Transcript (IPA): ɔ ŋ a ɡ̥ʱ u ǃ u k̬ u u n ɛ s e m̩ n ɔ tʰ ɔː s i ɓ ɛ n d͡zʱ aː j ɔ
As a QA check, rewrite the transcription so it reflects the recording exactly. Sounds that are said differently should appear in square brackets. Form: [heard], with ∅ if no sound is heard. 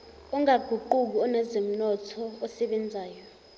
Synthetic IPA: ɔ ŋ a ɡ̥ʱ u ǃ u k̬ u [ɔ] n ɛ [z] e m̩ n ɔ tʰ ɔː s [ɛ] ɓ ɛ n d͡zʱ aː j ɔ